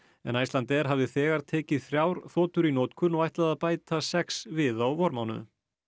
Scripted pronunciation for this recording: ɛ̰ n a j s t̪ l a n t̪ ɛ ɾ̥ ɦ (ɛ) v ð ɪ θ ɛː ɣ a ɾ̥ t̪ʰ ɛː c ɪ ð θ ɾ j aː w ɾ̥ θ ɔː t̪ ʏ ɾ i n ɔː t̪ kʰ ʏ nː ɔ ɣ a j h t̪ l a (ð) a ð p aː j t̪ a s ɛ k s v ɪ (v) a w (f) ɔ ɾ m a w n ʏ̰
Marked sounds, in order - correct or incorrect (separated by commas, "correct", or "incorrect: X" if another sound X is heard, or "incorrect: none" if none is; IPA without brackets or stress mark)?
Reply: incorrect: a, correct, incorrect: ð, incorrect: v